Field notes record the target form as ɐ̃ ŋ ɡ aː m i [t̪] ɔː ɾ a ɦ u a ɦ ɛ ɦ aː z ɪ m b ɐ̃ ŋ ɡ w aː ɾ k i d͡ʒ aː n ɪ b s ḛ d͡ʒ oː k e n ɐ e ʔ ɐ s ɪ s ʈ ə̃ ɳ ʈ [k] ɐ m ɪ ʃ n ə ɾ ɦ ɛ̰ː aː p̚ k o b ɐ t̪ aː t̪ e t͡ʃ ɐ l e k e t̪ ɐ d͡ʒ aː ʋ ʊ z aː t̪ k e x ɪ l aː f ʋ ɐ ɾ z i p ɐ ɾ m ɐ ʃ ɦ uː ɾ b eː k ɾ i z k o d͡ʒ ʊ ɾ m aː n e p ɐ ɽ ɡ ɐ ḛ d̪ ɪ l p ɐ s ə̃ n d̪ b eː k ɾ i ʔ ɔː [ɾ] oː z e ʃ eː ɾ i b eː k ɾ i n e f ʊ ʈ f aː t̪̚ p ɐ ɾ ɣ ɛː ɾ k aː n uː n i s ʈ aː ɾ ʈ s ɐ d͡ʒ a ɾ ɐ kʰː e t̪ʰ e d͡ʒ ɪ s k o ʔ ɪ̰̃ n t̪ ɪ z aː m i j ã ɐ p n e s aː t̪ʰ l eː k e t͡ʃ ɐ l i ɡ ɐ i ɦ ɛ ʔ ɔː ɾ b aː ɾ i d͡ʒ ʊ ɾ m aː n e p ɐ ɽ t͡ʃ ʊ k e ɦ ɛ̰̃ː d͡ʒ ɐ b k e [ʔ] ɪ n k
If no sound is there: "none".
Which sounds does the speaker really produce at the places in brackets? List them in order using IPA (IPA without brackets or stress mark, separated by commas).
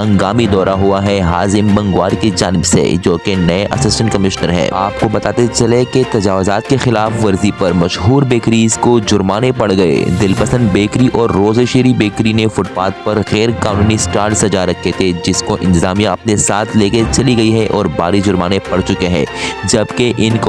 d̪, k, ɾː, ʔ